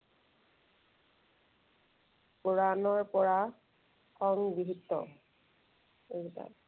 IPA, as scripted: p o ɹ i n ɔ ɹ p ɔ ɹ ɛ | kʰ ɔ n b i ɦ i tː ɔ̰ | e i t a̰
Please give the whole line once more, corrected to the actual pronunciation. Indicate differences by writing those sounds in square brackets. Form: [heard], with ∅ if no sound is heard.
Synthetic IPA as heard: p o ɹ [a] n ɔ ɹ p ɔ ɹ [a] | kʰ ɔ [ŋ] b i ɦ i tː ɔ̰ | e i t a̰